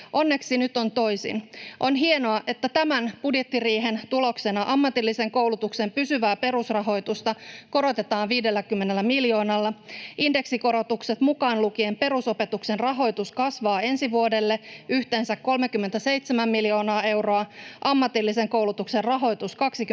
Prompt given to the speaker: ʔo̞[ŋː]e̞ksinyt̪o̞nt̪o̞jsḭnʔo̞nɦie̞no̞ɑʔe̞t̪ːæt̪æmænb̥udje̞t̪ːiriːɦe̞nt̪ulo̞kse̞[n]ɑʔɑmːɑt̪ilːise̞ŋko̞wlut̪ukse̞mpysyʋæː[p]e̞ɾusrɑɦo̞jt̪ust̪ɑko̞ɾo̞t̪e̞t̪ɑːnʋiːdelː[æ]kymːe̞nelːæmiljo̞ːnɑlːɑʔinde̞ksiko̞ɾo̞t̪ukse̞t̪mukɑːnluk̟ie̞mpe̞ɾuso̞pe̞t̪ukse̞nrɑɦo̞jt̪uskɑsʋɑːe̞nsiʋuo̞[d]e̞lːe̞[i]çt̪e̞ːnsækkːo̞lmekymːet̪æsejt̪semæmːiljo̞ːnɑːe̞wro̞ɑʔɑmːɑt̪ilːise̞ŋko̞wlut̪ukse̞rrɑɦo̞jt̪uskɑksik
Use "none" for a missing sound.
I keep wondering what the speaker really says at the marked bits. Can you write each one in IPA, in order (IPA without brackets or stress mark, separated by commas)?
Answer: nː, n, p, æ, d, y